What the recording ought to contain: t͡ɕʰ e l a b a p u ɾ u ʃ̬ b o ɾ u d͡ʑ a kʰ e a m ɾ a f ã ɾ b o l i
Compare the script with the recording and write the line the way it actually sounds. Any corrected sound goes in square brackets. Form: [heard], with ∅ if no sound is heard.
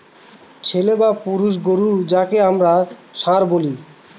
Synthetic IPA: t͡ɕʰ e l [e] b a p u ɾ u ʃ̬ [ɡ] o ɾ u d͡ʑ a [k] e a m ɾ a [ʃ] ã ɾ b o l i